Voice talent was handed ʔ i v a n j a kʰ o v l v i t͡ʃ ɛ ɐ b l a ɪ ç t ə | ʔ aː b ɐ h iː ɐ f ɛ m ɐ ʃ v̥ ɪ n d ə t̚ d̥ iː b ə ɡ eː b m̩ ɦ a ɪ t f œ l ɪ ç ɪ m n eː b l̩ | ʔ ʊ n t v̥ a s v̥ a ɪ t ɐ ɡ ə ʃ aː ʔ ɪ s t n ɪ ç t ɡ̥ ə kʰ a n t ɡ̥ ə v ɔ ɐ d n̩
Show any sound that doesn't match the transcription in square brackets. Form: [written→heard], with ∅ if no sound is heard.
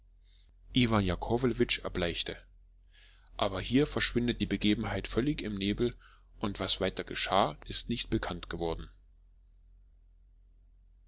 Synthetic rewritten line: ʔ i v a n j a kʰ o v l v [i→ɪ] t͡ʃ ɛ ɐ b l a ɪ ç t ə | ʔ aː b ɐ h iː ɐ f ɛ [m→∅] ɐ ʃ v̥ ɪ n d ə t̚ d̥ iː b ə ɡ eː b m̩ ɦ a ɪ t f œ l ɪ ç ɪ m n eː b l̩ | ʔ ʊ n t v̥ a s v̥ a ɪ t ɐ ɡ ə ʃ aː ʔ ɪ s t n ɪ ç t [ɡ̥→b̥] ə kʰ a n t ɡ̥ ə v ɔ ɐ d n̩